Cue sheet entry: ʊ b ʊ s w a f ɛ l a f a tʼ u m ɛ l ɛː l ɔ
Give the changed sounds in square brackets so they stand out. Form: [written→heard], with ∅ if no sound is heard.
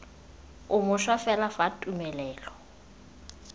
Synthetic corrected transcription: ʊ [b→m] ʊ [s→ʃ] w a f ɛ l a f a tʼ u m ɛ l ɛː l ɔ

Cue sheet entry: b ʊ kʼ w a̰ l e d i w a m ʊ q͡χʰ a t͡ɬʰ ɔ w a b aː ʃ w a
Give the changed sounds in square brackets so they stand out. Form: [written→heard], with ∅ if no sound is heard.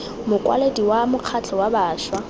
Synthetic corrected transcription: [b→m] ʊ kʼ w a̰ l e d i w a m ʊ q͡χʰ a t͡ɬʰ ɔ w a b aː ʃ w a

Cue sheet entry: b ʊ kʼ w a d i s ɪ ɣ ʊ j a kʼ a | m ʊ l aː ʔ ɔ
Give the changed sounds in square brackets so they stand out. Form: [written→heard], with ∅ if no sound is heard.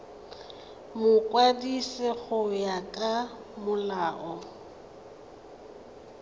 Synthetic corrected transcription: [b→m] ʊ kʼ w a d i s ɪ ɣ ʊ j a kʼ a | m ʊ l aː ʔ ɔ

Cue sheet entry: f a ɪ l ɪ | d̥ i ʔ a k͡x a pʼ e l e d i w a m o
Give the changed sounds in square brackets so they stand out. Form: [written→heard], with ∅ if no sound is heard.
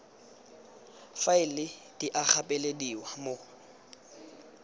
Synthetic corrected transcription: f a ɪ l ɪ | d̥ i ʔ a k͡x a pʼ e l e d i w a m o

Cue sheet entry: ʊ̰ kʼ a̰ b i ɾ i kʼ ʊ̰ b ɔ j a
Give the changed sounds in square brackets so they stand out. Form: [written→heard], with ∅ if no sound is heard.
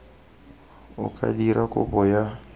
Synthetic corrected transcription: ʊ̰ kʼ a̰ [b→d] i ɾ [i→a] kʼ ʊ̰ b ɔ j a

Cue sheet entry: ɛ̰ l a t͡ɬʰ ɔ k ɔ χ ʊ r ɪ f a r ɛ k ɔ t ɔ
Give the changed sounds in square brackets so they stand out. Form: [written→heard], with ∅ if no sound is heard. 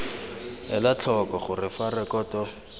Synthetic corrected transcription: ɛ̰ l a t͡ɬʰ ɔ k ɔ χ ʊ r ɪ f a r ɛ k ɔ t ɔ

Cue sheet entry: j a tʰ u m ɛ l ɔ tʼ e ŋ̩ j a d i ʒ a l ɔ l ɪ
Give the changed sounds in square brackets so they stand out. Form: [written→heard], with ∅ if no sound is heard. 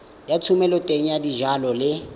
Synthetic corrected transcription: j a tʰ u m ɛ l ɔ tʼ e ŋ̩ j a d i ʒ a l ɔ l ɪ

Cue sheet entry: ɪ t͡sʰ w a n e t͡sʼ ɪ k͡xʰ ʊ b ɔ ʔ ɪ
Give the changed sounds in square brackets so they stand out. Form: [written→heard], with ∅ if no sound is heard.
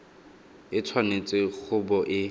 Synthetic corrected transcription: ɪ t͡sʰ w a n e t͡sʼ ɪ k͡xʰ ʊ b ɔ ʔ ɪ

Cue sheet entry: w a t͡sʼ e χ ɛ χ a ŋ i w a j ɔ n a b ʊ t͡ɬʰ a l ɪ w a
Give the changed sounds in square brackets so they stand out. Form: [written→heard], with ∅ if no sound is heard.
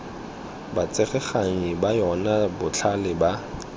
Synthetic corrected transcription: [w→b] a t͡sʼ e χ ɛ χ a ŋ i [w→b] a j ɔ n a b ʊ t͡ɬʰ a l ɪ [w→b] a

